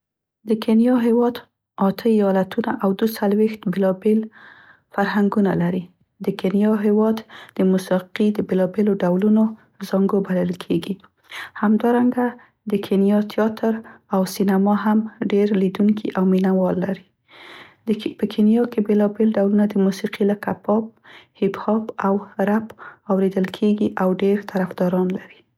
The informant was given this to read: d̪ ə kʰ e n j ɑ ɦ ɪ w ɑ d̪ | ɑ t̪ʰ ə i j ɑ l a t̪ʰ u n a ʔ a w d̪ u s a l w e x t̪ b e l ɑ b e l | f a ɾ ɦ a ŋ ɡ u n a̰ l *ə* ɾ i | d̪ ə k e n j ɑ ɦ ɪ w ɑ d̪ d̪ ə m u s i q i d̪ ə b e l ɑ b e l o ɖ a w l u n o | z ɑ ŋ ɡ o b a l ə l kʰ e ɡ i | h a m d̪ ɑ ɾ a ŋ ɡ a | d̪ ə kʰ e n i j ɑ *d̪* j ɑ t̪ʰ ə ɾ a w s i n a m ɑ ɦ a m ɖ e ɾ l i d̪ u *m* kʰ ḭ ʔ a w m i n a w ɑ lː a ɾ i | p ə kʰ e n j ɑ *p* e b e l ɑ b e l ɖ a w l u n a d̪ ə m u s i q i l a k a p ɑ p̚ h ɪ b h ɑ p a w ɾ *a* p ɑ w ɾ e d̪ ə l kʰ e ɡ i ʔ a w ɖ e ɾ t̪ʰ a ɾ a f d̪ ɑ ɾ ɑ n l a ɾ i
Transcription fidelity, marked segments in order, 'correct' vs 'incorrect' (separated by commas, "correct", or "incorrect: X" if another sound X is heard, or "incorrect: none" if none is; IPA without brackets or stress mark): incorrect: a, incorrect: t̪, incorrect: ŋ, incorrect: k, correct